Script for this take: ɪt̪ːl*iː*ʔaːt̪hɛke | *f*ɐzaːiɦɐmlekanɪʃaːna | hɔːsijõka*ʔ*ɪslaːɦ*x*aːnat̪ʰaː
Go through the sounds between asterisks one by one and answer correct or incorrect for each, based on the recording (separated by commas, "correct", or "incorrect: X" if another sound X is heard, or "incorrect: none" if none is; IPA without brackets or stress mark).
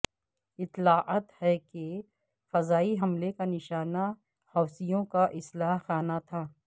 incorrect: aː, correct, correct, correct